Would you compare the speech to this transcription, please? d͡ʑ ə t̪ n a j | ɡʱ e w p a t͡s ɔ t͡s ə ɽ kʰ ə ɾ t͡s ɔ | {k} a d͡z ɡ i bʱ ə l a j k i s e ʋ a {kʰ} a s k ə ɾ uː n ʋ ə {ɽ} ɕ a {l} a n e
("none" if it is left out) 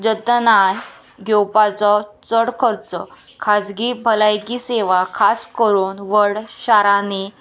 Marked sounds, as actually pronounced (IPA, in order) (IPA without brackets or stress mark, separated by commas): kʰ, kʰ, ɽ, ɾ